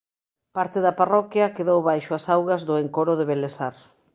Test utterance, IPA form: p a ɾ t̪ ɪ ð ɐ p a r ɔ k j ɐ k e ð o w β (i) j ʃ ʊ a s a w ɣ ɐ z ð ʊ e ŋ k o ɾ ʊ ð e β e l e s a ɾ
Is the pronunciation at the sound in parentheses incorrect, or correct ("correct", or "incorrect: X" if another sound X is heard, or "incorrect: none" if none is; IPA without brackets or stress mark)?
incorrect: a